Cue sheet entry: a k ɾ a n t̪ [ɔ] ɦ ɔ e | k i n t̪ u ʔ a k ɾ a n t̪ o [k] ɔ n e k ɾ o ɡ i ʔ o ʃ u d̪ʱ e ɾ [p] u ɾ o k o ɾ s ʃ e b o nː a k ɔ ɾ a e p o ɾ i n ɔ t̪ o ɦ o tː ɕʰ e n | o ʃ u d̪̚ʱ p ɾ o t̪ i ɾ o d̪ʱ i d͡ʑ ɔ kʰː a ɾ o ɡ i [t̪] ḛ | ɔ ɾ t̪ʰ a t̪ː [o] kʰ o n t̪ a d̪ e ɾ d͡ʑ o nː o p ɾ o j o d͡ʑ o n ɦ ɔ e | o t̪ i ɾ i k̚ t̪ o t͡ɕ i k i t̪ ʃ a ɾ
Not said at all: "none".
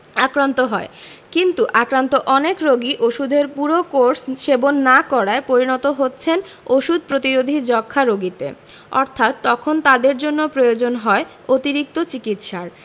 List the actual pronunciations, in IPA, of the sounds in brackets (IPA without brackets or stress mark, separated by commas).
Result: o, ʔ, p, t̪, ɔ